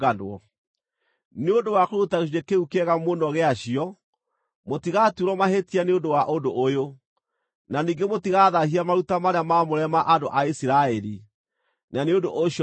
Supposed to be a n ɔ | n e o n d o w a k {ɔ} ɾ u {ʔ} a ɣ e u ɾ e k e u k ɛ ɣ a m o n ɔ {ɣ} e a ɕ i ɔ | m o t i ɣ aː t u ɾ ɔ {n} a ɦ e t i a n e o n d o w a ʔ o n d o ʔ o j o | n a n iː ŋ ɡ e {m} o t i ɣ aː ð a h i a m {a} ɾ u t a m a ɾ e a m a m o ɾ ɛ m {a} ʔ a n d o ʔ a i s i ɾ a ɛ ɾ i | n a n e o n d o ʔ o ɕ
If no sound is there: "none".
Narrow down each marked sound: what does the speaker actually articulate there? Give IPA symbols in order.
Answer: o, t, ɣ, m, m, a, a

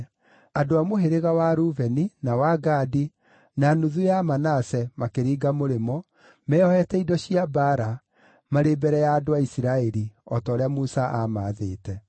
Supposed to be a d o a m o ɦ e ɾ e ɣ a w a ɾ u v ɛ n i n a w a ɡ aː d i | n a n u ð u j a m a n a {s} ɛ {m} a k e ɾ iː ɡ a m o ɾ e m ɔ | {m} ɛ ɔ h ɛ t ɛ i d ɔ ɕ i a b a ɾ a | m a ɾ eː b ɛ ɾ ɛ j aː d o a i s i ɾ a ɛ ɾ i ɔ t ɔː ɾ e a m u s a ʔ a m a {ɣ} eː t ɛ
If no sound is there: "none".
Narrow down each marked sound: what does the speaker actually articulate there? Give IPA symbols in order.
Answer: s, m, m, ð

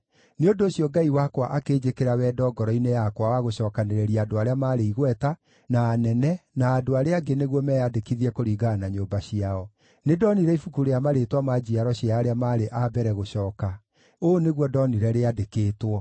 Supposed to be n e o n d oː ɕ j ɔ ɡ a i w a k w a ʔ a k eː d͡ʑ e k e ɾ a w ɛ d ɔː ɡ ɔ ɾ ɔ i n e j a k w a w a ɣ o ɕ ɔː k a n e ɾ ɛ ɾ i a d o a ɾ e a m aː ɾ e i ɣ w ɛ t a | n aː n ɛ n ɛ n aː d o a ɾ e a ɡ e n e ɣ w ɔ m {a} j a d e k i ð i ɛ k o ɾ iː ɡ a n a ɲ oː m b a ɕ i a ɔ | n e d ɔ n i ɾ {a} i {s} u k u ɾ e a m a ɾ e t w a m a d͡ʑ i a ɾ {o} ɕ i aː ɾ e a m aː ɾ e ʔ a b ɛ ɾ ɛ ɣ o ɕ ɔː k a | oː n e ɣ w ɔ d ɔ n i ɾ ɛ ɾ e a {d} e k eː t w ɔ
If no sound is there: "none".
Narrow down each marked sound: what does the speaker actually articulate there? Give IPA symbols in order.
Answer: ɛ, ɛ, f, ɔ, d

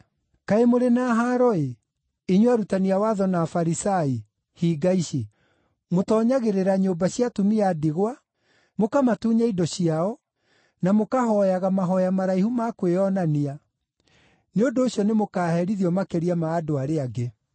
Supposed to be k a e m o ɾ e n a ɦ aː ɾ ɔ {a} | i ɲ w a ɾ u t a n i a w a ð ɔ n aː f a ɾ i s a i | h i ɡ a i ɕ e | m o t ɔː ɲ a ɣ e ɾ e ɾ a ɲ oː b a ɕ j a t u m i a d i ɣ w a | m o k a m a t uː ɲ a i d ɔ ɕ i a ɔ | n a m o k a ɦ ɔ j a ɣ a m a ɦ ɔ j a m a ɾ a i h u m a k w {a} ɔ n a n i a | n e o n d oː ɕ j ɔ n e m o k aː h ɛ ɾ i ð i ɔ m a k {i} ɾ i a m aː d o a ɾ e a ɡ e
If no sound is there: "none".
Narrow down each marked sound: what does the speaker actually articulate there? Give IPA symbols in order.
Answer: e, e, e

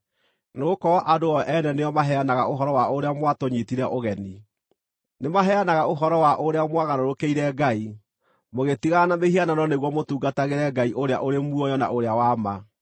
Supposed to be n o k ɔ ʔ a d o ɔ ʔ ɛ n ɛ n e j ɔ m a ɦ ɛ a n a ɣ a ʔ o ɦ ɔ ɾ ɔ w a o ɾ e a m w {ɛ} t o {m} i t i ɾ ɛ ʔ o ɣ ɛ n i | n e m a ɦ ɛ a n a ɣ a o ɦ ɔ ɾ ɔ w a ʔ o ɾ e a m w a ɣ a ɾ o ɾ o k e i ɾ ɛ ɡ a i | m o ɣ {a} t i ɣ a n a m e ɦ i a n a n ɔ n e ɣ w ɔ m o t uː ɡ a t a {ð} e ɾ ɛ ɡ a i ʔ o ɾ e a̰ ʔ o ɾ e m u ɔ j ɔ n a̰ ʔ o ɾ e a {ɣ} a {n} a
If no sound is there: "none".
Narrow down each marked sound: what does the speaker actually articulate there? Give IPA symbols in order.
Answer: a, ɲ, e, ɣ, w, m

